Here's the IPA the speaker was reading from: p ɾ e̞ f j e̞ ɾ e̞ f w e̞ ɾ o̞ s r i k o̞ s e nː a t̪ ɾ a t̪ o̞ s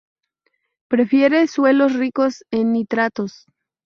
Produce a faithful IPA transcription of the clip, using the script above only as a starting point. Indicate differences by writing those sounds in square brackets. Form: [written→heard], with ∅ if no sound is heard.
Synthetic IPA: p ɾ e̞ f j e̞ ɾ e̞ [f→s] w e̞ [ɾ→l] o̞ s r i k o̞ s e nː [a→i] t̪ ɾ a t̪ o̞ s